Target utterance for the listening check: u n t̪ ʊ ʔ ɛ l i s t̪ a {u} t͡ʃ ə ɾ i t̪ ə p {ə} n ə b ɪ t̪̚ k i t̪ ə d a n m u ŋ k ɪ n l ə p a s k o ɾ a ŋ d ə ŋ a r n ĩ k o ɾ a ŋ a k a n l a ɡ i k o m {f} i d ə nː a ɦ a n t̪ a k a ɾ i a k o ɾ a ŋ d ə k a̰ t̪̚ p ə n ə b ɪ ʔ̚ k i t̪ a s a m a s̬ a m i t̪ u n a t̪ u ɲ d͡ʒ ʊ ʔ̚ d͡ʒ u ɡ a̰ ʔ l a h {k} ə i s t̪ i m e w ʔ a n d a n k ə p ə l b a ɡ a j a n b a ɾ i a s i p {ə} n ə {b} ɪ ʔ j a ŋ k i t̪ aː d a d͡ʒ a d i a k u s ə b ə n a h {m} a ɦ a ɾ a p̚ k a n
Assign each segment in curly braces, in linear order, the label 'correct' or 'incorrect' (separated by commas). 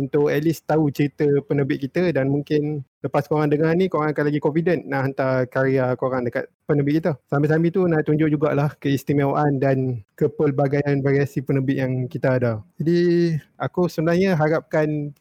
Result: correct, correct, correct, correct, correct, correct, incorrect